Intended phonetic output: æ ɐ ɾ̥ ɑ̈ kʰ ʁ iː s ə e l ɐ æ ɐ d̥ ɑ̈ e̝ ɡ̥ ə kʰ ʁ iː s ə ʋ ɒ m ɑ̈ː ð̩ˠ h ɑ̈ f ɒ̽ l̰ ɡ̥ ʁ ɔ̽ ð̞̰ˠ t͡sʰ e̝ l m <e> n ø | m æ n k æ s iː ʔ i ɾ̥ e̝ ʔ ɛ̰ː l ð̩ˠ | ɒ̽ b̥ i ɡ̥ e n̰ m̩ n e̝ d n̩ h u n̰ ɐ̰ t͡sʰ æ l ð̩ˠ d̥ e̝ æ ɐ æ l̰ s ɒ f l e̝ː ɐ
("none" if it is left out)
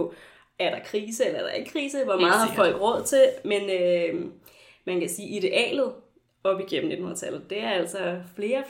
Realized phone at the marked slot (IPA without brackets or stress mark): e